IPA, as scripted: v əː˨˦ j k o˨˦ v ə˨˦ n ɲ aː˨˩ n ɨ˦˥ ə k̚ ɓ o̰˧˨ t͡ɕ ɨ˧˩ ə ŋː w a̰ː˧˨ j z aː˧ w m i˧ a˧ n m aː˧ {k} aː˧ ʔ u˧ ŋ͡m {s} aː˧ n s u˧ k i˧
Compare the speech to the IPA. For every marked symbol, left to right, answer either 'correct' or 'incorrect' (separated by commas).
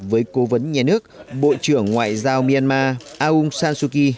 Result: incorrect, correct